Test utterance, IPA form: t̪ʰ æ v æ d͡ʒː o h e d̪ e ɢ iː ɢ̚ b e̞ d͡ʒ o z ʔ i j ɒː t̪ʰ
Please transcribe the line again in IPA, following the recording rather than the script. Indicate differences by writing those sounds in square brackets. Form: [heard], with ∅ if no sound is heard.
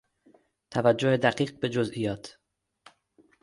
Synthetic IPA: t̪ʰ æ v æ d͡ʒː o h e d̪ [æ] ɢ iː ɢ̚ b e̞ d͡ʒ o z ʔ i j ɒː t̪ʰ